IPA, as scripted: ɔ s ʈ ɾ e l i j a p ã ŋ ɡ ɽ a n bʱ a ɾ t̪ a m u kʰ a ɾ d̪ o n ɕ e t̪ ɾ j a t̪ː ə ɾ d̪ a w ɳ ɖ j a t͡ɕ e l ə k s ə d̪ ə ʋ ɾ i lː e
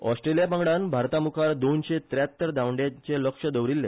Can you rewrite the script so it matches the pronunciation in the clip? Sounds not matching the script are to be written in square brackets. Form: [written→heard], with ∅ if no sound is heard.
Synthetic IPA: ɔ s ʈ ɾ e l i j a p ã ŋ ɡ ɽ a n bʱ a ɾ t̪ a m u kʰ a ɾ d̪ o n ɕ e t̪ ɾ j a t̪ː ə ɾ d̪ a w ɳ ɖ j a t͡ɕ e l ə k [s→ʂ] ə d̪ ə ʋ ɾ i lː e